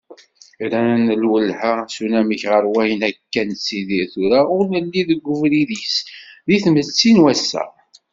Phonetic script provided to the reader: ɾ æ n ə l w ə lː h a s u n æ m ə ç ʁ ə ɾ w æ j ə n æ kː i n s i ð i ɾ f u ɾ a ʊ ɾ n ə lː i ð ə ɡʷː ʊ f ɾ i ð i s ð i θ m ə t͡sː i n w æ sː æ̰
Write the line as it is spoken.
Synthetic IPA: ɾ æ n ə l w ə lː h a s u n æ m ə ç ʁ ə ɾ w æ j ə n æ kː æ n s i ð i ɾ θ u ɾ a ʊ ɾ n ə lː i ð ə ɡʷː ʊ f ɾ i ð i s ð i θ m ə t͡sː i n w æ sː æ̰